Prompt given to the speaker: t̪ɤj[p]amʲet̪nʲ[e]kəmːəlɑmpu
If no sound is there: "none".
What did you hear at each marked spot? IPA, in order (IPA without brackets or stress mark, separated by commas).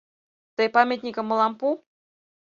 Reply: p, i